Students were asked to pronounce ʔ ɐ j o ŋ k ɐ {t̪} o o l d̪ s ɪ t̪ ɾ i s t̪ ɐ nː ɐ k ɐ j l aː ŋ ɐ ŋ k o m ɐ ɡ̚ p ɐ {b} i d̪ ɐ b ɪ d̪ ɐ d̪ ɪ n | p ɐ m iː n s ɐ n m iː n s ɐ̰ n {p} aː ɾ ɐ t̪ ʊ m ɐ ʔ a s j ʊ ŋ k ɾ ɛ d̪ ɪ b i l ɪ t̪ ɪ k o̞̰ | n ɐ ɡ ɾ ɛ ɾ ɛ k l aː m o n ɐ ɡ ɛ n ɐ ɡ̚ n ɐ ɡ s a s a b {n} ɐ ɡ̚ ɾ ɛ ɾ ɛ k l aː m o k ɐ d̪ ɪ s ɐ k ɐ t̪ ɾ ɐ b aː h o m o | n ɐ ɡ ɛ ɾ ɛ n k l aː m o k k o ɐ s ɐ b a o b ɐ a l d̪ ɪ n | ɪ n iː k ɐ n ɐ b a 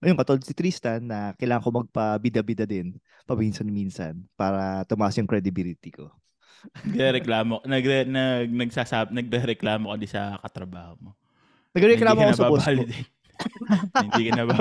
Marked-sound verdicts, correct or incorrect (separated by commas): correct, correct, correct, correct